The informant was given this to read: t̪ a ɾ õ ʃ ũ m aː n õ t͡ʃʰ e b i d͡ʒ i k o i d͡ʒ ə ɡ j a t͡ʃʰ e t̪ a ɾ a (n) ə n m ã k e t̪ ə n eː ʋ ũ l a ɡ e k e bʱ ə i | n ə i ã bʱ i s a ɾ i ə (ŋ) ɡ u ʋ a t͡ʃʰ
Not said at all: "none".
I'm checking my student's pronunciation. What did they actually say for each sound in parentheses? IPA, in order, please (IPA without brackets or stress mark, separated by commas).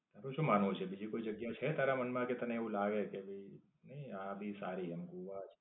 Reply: m, m